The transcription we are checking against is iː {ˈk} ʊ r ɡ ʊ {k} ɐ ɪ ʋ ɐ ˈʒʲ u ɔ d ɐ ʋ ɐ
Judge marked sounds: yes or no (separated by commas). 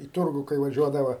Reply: no, yes